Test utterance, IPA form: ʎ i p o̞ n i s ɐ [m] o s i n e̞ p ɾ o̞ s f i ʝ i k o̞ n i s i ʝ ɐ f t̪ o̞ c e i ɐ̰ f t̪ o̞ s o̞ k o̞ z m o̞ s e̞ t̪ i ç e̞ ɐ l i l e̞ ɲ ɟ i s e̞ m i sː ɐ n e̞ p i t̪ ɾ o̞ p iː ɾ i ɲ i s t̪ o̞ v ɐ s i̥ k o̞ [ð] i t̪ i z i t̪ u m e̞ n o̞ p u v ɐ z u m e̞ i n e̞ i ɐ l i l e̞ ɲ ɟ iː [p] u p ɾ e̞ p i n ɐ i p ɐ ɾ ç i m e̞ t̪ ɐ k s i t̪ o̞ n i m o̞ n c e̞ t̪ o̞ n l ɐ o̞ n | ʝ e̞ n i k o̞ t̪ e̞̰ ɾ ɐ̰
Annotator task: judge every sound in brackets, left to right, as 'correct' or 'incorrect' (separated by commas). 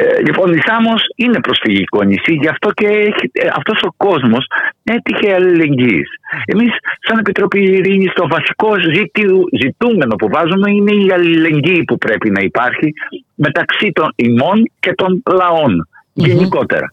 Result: correct, incorrect, correct